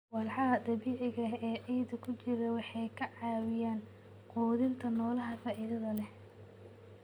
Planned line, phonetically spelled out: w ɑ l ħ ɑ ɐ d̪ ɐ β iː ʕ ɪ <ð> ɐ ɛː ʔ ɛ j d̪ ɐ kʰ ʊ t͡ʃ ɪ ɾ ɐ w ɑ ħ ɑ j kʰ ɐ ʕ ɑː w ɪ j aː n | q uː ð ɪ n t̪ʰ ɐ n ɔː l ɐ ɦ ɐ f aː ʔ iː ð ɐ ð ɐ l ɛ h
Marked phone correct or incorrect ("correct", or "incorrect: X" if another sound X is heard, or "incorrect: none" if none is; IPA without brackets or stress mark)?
incorrect: ɣ